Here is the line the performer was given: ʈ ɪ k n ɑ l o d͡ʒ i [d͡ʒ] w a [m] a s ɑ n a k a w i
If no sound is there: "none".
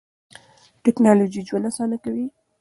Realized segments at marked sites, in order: d͡ʒ, n

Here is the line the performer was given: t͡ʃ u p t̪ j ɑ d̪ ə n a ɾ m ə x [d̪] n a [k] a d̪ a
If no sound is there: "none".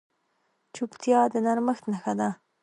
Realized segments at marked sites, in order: t̪, x

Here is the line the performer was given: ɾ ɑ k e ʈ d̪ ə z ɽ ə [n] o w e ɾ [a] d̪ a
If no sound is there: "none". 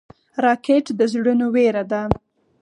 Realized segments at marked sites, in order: n, a

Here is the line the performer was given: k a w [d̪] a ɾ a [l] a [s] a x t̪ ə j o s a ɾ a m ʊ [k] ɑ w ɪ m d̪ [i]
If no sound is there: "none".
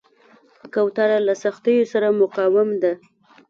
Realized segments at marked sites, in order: t̪, l, s, q, a

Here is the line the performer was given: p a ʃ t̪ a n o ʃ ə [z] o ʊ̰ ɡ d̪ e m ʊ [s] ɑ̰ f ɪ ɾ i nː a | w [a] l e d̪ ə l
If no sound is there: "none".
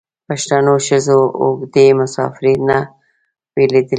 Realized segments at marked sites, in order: z, s, e

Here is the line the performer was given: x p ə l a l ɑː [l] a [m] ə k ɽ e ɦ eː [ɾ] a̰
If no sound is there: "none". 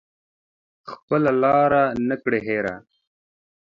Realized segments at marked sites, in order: ɾ, n, ɾ

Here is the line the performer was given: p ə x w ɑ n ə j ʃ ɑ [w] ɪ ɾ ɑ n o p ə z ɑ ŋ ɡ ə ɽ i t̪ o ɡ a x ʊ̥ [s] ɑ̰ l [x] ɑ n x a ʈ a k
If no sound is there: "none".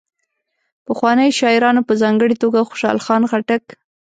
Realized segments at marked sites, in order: none, ʃ, x

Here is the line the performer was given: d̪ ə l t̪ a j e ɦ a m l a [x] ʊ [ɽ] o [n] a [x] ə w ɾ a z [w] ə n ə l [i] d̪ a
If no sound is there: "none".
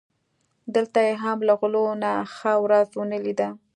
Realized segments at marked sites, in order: ɣ, l, n, x, w, i

